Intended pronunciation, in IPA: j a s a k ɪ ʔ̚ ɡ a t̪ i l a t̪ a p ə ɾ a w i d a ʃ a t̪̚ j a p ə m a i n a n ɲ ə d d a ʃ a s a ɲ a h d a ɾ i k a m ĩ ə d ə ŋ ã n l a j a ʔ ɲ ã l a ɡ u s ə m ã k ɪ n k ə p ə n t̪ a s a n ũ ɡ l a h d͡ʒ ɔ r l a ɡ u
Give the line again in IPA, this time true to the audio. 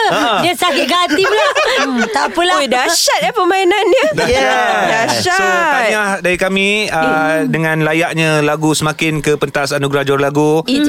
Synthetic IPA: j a s a k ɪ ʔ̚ ɡ a t̪ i l a t̪ a p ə l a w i d a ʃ a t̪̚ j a p ə m a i n a n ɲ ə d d a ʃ a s a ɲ a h d a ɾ i k a m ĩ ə d ə ŋ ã n l a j a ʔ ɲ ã l a ɡ u s ə m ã k ɪ n k ə p ə n t̪ a s a n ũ ɡ ɾ a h d͡ʒ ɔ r l a ɡ u